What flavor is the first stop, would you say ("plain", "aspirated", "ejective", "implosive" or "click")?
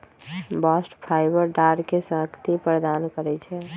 plain